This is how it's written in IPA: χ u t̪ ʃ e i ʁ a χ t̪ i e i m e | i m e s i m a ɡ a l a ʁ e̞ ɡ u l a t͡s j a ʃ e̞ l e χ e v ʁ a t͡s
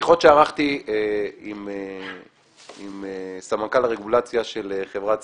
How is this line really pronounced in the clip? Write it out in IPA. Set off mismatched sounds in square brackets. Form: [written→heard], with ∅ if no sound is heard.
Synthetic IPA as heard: χ [u→o] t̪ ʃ e [i→a] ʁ a χ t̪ i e i m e | i m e s [i→a] m a [ɡ→k] a l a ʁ e̞ ɡ u l a t͡s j a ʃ e̞ l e χ e v ʁ a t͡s